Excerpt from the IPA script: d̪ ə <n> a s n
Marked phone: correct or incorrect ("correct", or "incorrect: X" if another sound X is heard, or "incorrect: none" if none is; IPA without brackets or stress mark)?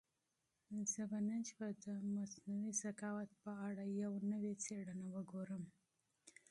incorrect: m